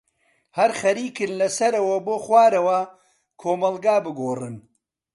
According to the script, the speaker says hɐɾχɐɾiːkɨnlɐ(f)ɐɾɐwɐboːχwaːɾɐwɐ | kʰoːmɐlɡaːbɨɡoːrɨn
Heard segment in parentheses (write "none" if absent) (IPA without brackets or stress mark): s